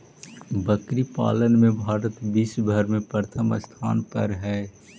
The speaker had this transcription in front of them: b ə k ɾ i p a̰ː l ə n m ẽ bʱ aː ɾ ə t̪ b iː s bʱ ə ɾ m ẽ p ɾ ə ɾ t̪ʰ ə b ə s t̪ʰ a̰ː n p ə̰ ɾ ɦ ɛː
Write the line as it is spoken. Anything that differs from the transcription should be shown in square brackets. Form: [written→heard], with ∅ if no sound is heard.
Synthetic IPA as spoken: b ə k ɾ i p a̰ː l ə n m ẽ bʱ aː ɾ ə t̪ b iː s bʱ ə ɾ m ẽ p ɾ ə ɾ t̪ʰ ə [b→m] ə s t̪ʰ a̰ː n p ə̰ ɾ ɦ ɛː